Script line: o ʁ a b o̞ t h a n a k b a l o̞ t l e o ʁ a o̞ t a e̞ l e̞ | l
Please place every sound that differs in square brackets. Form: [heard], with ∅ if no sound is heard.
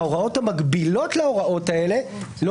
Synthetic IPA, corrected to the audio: o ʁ a [∅] o̞ t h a [m] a [ɡ] b [i] l o̞ t l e o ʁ a o̞ t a e̞ l e̞ | l